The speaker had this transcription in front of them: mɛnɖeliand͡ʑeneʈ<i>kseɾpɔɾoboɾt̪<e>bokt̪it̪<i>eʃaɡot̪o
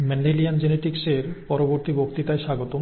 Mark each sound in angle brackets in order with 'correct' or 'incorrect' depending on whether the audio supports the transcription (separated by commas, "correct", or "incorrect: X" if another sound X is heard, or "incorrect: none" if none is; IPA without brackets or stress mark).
correct, incorrect: i, incorrect: a